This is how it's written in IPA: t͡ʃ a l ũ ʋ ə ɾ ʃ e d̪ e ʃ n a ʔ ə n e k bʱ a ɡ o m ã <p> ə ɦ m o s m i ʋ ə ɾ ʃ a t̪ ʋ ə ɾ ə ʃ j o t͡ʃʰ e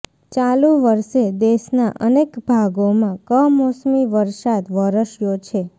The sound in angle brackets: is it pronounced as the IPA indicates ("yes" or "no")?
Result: no